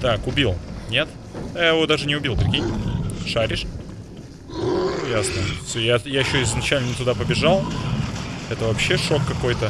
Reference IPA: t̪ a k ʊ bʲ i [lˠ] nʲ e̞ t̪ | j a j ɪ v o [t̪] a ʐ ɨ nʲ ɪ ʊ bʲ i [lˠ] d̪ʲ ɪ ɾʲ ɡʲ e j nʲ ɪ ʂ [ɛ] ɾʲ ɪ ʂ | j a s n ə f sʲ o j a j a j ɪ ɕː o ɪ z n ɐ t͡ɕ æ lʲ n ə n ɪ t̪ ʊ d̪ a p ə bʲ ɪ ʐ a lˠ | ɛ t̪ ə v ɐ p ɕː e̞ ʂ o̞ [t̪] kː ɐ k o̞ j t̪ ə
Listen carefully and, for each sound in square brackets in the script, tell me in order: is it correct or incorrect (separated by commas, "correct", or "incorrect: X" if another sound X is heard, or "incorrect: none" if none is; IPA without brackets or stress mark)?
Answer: correct, incorrect: d̪, correct, incorrect: a, incorrect: none